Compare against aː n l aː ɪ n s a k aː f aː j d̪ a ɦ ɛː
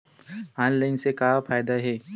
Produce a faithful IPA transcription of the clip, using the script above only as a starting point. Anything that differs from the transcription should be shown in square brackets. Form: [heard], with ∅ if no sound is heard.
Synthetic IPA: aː n l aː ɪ n s [e] k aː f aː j d̪ a ɦ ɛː